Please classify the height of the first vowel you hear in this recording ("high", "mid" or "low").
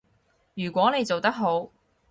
high